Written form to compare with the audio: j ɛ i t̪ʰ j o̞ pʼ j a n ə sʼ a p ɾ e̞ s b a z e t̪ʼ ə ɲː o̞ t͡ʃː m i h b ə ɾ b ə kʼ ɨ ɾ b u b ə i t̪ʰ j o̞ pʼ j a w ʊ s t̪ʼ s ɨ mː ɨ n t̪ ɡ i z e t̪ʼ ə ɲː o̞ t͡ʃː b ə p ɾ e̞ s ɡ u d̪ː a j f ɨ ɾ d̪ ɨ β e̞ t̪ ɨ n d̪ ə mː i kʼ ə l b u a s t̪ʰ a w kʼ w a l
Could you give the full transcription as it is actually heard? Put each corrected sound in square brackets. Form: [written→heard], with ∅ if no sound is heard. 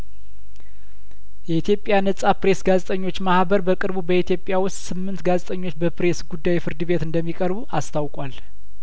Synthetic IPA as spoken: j ɛ i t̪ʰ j o̞ pʼ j a n ə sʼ a p ɾ e̞ s [b→ɡ] a z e t̪ʼ ə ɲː o̞ t͡ʃː m [i→a] h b ə ɾ b ə kʼ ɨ ɾ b u b ə i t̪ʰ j o̞ pʼ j a w ʊ s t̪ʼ s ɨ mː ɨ n t̪ ɡ [i→a] z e t̪ʼ ə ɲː o̞ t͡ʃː b ə p ɾ e̞ s ɡ u d̪ː a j f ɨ ɾ d̪ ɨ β e̞ t̪ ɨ n d̪ ə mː i kʼ ə [l→ɾ] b u a s t̪ʰ a w kʼ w a l